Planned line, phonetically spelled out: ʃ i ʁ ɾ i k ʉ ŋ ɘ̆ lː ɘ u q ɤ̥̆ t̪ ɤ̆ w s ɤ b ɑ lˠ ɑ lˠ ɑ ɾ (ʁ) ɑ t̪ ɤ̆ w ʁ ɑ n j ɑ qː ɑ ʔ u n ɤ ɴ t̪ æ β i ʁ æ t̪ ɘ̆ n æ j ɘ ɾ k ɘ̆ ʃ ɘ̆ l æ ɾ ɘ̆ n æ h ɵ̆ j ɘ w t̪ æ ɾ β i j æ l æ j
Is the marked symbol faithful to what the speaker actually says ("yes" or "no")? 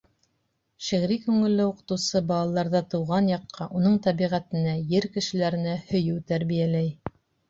no